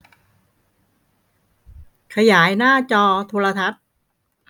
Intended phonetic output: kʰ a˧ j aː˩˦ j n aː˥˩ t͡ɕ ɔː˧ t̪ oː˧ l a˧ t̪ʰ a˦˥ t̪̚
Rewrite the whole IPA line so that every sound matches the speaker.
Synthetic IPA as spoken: kʰ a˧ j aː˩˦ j n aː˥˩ t͡ɕ ɔː˧ t̪ʰ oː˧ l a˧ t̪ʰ a˦˥ t̪̚